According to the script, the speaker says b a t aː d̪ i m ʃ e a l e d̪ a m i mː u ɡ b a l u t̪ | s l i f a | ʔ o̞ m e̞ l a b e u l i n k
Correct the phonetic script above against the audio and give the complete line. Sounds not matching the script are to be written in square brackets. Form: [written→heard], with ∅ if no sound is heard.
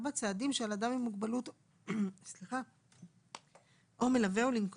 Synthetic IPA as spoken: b a [t→t͡s] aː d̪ i m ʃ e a l [e→a] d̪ a m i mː u ɡ b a l u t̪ | s l i [f→χ] a | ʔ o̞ m e̞ l a [b→v] e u l i n k